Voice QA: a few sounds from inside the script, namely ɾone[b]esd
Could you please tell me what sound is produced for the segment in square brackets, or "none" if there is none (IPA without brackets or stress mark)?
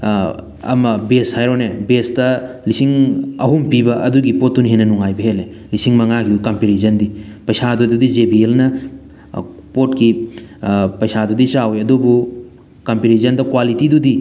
b